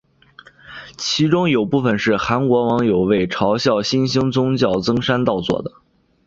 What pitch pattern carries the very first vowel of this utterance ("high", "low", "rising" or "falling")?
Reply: rising